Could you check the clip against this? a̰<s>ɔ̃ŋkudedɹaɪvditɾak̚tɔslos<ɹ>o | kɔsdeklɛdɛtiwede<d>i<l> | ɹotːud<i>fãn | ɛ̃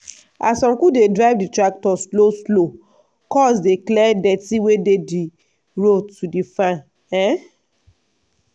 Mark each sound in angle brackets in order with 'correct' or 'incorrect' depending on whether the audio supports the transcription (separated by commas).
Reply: correct, incorrect, correct, incorrect, correct